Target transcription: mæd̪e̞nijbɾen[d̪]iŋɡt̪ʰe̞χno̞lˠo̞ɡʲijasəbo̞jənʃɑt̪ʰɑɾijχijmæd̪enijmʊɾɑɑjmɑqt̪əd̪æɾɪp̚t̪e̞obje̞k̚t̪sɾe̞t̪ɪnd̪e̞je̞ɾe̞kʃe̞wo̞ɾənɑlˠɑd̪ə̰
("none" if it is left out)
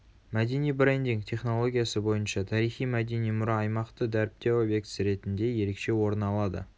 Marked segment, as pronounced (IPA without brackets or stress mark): d̪